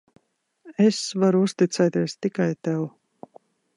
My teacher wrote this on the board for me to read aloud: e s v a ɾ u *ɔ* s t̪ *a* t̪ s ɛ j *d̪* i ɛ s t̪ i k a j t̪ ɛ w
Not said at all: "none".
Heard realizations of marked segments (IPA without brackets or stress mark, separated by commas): u, i, t̪